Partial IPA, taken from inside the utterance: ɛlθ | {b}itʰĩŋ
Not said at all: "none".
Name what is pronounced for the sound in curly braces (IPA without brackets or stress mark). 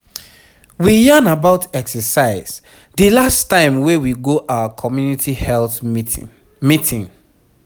m